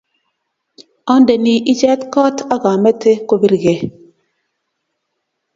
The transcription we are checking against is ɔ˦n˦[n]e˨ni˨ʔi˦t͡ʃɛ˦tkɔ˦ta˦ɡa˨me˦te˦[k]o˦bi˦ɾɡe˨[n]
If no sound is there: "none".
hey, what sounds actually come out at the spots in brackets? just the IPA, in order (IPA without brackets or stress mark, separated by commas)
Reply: d, k, none